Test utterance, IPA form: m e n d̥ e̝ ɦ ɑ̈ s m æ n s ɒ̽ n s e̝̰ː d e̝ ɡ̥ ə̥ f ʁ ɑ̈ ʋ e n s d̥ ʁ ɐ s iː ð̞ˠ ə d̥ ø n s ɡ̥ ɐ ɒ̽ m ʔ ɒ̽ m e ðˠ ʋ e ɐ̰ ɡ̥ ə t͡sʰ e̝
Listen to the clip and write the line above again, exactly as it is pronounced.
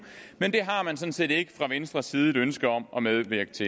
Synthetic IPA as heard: m e n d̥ e̝ ɦ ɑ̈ m æ n s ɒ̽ n s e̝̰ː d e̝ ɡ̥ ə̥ f ʁ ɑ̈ ʋ e n s d̥ ʁ ɐ s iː ð̞ˠ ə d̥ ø n s ɡ̥ ɐ ɒ̽ m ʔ ɒ̽ m e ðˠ ʋ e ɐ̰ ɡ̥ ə t͡sʰ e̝